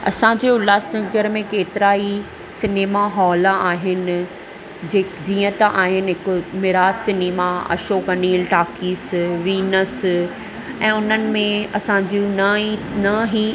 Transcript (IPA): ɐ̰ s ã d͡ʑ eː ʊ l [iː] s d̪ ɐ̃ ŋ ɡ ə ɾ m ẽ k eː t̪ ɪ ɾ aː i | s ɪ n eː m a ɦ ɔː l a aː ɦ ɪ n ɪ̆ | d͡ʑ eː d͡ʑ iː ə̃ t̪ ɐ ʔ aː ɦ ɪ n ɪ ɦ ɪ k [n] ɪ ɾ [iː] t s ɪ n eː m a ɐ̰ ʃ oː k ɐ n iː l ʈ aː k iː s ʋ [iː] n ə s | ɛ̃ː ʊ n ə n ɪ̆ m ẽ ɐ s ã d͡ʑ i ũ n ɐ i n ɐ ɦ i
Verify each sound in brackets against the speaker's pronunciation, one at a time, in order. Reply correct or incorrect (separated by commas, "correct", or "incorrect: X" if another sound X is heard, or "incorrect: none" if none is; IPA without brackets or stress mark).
incorrect: aː, incorrect: m, incorrect: aː, correct